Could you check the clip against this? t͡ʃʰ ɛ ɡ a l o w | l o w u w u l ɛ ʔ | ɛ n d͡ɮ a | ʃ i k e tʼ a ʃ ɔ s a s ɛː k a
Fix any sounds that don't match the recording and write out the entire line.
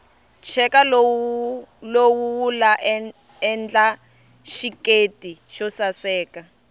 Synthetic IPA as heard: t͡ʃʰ ɛ k a l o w | l o w u w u l a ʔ | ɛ n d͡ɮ a | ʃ i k e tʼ i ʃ ɔ s a s ɛː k a